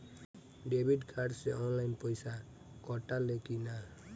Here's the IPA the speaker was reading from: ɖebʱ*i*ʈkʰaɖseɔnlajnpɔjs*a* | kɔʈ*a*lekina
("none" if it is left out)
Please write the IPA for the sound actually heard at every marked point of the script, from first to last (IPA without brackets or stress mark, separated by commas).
i, a, a